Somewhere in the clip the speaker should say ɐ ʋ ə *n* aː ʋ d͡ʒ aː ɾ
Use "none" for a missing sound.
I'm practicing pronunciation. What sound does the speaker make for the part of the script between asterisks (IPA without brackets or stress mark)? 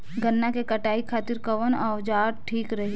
n